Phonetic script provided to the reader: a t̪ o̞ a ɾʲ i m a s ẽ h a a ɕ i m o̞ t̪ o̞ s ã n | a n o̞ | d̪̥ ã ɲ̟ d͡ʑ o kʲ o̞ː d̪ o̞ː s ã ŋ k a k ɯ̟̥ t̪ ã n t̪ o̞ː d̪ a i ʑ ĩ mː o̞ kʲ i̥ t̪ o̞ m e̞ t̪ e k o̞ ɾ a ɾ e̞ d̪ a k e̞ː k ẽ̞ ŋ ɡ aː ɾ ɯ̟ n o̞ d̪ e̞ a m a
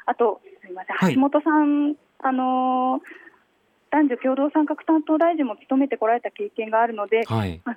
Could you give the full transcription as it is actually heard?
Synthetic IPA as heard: a t̪ o̞ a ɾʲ i m a s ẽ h a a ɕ i m o̞ t̪ o̞ s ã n | a n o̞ | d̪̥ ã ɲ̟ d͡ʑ o kʲ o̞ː d̪ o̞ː s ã ŋ k a k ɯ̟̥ t̪ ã n t̪ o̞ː d̪ a i ʑ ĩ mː o̞ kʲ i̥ t̪ o̞ m e̞ t̪ e k o̞ ɾ a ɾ e̞ t̪ a k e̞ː k ẽ̞ ŋ ɡ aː ɾ ɯ̟ n o̞ d̪ e̞ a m a